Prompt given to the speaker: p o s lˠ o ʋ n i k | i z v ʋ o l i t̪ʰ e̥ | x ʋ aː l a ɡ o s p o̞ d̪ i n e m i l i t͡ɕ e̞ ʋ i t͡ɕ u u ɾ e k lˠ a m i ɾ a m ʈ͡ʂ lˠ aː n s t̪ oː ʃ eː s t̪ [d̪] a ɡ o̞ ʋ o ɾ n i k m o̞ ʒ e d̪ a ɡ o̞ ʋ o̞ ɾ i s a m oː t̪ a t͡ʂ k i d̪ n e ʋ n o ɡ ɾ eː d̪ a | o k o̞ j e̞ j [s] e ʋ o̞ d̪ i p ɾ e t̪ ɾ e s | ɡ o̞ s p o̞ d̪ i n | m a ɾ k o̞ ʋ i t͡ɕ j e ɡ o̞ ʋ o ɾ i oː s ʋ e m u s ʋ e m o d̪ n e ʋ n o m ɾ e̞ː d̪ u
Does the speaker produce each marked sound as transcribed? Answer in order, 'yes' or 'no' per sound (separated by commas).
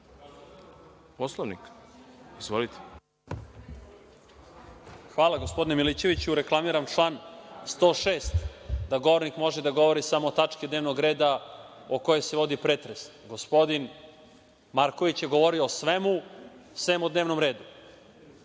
yes, yes